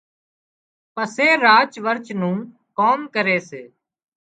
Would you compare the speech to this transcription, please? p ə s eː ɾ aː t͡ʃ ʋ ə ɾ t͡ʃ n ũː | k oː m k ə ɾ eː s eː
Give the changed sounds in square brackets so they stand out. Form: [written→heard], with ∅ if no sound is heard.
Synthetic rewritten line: p ə s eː ɾ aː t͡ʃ ʋ ə ɾ t͡ʃ n ũː | k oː m k ə ɾ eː s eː